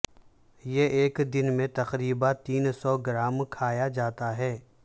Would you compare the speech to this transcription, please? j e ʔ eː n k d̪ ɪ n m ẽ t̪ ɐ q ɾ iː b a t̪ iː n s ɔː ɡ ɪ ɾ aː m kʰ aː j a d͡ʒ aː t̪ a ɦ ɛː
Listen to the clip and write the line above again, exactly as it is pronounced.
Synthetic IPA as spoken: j e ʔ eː k d̪ ɪ n m ẽ t̪ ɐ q ɾ iː b a t̪ iː n s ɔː ɡ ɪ ɾ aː m kʰ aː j a d͡ʒ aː t̪ a ɦ ɛː